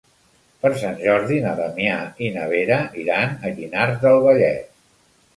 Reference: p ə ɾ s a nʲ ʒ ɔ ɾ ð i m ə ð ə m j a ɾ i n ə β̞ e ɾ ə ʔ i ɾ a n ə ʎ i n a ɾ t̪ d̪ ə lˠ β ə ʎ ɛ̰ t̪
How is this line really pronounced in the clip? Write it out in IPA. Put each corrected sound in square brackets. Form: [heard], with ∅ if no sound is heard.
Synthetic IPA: p ə ɾ s a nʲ ʒ ɔ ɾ ð i [n] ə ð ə m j a [∅] i n ə β̞ e ɾ ə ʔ i ɾ a n ə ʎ i n a ɾ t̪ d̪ ə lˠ β ə ʎ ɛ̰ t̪